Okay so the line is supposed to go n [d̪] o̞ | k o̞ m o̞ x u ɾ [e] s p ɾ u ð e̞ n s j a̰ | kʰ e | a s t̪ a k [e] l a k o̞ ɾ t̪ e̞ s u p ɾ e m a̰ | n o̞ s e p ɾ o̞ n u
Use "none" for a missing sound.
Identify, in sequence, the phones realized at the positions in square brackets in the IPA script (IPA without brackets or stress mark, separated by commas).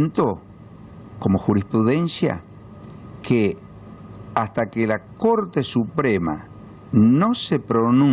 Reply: t̪, i, e